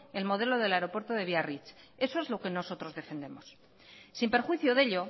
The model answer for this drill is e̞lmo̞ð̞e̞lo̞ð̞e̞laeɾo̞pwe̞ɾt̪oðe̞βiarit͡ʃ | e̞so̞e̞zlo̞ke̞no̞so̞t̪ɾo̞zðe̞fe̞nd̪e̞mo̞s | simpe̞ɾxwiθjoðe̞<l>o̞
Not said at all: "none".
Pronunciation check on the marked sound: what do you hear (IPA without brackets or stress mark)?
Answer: ʎ